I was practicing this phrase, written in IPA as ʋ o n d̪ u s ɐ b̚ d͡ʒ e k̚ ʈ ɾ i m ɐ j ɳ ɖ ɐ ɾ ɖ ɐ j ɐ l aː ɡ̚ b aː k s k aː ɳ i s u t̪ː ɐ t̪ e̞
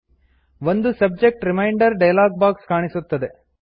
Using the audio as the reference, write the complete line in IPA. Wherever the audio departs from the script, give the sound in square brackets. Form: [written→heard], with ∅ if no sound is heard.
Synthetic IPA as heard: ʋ o n d̪ u s ɐ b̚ d͡ʒ e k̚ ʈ ɾ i m ɐ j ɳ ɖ ɐ ɾ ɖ ɐ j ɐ l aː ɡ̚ b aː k s k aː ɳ i s u t̪ː ɐ [t̪→d̪] e̞

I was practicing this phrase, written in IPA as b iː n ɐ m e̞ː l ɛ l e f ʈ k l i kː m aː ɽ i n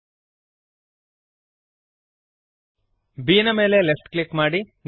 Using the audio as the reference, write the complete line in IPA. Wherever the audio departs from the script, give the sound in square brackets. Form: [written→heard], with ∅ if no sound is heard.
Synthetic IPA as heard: b iː n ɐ m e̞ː l [ɛ→e] l e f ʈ k l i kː m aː ɽ i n

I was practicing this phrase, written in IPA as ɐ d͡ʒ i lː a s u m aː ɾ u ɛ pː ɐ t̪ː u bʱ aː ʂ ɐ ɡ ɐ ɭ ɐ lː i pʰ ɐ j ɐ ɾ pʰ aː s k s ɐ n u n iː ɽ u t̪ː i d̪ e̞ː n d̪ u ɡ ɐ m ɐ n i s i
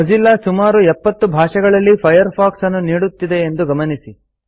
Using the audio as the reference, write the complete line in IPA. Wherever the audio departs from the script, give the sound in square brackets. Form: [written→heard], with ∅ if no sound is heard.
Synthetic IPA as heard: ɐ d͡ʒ i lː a s u m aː ɾ u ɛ pː ɐ t̪ː u bʱ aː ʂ ɐ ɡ ɐ ɭ ɐ lː i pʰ ɐ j ɐ ɾ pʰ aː [s→∅] k s ɐ [n→nː] u n iː ɽ u t̪ː i d̪ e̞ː n d̪ u ɡ ɐ m ɐ n i s i

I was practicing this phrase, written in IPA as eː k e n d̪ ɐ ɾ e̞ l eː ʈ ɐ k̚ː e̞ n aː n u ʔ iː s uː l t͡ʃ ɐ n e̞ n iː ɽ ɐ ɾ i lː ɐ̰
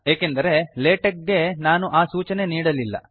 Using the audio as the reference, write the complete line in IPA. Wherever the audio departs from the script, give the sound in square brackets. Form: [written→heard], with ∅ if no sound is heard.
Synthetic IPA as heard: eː k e n d̪ ɐ ɾ e̞ l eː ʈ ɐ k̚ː e̞ n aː n u ʔ [iː→aː] s uː [l→∅] t͡ʃ ɐ n e̞ n iː ɽ ɐ [ɾ→l] i lː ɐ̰

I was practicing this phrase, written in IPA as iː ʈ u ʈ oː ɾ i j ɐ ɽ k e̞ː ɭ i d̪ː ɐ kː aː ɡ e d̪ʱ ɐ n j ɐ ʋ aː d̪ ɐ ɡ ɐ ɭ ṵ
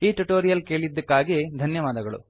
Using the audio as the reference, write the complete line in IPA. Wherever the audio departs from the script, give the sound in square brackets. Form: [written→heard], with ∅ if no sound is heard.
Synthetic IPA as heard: iː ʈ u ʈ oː ɾ i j ɐ [ɽ→l] k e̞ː ɭ i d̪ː ɐ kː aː ɡ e d̪ʱ ɐ n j ɐ ʋ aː d̪ ɐ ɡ ɐ ɭ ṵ

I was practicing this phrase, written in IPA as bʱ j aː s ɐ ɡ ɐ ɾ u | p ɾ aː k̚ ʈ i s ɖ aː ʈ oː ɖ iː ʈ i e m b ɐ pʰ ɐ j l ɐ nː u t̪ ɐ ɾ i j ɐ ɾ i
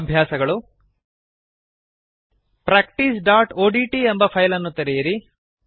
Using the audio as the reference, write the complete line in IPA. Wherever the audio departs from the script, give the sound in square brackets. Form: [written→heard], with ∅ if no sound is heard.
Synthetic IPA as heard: bʱ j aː s ɐ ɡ ɐ [ɾ→ɭ] u | p ɾ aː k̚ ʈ i s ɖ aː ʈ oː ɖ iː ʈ i e m b ɐ pʰ ɐ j l ɐ nː u t̪ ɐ ɾ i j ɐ ɾ i

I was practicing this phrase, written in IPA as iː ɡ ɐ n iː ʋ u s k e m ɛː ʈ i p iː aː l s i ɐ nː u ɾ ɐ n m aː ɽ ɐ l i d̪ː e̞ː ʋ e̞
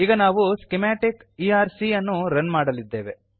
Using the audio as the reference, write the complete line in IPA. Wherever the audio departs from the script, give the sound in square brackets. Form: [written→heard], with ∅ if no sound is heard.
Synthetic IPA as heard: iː ɡ ɐ n [iː→aː] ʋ u s k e m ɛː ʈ i [p→k] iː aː [l→ɾ] s i ɐ nː u ɾ ɐ n m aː ɽ ɐ l i d̪ː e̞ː ʋ e̞

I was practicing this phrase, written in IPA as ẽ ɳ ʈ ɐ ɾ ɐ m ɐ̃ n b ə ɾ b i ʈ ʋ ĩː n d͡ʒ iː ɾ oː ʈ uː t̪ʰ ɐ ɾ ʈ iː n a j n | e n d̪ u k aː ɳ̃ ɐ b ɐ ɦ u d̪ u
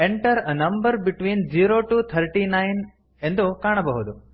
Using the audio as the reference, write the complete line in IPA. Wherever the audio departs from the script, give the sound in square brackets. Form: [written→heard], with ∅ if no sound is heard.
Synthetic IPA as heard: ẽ ɳ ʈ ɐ ɾ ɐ [m→n] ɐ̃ [n→m] b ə ɾ b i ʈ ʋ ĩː n d͡ʒ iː ɾ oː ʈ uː t̪ʰ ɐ ɾ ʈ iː n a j n | e n d̪ u k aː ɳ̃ ɐ b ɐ ɦ u d̪ u

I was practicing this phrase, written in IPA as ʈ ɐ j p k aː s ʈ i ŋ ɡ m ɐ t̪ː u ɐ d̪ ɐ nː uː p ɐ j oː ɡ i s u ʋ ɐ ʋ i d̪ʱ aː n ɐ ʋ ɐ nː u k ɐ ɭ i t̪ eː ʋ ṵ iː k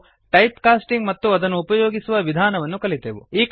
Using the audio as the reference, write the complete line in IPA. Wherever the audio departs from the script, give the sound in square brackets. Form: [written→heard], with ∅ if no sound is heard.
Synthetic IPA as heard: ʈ ɐ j p k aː s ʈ i ŋ ɡ m ɐ t̪ː u ɐ d̪ ɐ nː uː p ɐ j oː ɡ i s u ʋ ɐ ʋ i d̪ʱ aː n ɐ ʋ ɐ nː u k ɐ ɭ i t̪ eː ʋ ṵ iː k

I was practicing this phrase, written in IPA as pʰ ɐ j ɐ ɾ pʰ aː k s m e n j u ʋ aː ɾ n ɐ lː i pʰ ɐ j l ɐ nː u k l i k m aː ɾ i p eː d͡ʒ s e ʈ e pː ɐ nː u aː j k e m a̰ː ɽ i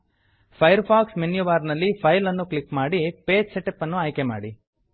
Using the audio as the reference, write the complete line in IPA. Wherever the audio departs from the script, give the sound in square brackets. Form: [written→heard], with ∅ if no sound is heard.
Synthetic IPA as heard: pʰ ɐ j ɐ ɾ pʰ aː k s m e n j u ʋ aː ɾ n ɐ lː i pʰ ɐ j l ɐ nː u k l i k m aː [ɾ→ɽ] i p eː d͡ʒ s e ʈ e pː ɐ nː u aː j k e m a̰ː ɽ i

